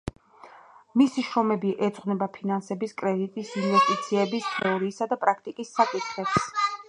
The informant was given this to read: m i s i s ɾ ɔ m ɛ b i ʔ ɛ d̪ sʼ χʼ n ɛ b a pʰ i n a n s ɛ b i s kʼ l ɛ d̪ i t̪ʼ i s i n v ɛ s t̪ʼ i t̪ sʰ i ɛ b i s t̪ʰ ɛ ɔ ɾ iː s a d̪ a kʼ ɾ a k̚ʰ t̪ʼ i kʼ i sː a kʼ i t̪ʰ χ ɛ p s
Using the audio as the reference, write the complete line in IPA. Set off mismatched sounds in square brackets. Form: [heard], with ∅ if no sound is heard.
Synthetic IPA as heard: m i s i [ʃ] ɾ ɔ m ɛ b i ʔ ɛ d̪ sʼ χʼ n ɛ b a pʰ i n a n s ɛ b i s kʼ [ɾ] ɛ d̪ i t̪ʼ i s i n v ɛ s t̪ʼ i t̪ sʰ i ɛ b i s t̪ʰ ɛ ɔ ɾ iː s a d̪ a [pʼ] ɾ a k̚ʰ t̪ʼ i kʼ i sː a kʼ i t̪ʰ χ ɛ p s